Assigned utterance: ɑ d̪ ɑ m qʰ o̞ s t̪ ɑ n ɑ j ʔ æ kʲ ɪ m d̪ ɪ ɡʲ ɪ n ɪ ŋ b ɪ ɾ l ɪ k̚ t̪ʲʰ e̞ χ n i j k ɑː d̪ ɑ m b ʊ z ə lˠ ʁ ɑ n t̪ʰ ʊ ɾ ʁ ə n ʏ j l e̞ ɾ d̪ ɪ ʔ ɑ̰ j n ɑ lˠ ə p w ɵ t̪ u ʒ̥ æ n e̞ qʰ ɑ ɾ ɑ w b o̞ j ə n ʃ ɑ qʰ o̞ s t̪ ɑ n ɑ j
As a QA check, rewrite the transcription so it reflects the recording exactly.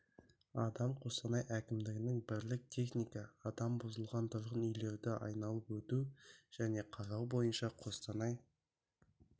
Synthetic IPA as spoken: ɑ d̪ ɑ m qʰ o̞ s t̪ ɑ n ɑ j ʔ æ kʲ ɪ m d̪ ɪ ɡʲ ɪ n ɪ ŋ b ɪ ɾ l ɪ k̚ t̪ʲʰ e̞ χ n i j k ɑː d̪ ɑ m b ʊ z ə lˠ ʁ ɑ n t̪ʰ ʊ ɾ ʁ ə n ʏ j l e̞ ɾ d̪ ɪ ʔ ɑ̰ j n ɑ lˠ ə p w ɵ t̪ u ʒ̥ æ n e̞ qʰ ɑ ɾ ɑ w b o̞ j ə n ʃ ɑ qʰ o̞ s t̪ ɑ n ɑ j